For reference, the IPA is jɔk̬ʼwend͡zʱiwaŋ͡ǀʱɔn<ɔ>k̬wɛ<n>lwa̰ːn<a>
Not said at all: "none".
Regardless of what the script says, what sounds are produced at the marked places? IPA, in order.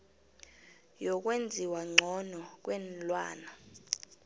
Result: ɔ, n, a

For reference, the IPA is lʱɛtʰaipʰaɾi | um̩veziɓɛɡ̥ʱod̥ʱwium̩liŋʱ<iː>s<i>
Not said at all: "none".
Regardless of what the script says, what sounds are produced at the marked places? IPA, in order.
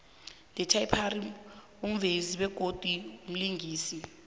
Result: iː, i

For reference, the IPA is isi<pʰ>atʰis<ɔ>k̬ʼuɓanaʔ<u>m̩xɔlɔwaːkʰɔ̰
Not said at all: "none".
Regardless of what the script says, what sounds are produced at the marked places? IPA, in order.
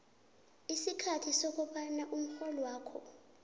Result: kʰ, o, u

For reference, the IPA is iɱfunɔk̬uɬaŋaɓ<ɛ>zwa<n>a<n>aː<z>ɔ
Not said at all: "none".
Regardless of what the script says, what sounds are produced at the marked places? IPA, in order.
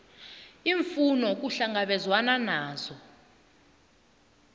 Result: ɛ, n, n, z

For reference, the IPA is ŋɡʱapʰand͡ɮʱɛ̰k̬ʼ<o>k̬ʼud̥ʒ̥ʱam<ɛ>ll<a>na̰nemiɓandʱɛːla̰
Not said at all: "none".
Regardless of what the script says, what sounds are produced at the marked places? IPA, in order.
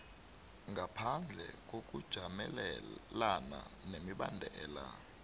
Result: o, ɛ, a

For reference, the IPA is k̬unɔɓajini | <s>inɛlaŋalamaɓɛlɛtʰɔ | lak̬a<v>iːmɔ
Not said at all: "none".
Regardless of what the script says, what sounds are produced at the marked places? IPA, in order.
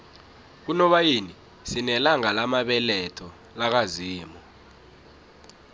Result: s, z

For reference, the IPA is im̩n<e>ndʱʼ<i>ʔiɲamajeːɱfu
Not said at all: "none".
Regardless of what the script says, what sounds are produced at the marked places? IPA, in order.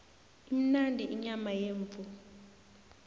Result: a, i

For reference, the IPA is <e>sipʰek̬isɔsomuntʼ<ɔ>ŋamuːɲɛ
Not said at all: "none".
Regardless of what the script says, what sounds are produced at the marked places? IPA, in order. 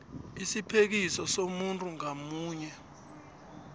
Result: i, u

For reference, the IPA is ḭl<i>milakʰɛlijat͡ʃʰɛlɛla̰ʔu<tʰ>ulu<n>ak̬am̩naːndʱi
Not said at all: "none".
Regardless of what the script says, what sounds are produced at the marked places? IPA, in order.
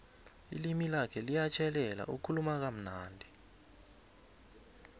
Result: i, kʰ, m

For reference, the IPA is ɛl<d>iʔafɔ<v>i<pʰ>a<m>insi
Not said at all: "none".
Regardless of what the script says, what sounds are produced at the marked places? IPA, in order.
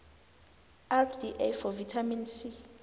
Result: d, v, tʰ, m

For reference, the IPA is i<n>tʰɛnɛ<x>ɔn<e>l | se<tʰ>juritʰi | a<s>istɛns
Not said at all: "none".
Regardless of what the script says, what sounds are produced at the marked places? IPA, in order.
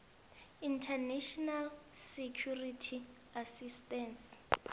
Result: n, ʃ, a, kʰ, s

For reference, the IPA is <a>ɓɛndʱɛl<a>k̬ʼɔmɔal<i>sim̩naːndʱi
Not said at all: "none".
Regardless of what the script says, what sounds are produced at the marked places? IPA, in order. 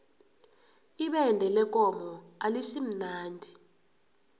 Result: i, ɛ, i

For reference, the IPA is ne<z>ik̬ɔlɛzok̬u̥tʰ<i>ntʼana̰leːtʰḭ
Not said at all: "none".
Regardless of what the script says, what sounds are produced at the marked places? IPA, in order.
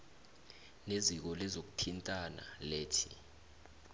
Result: z, i

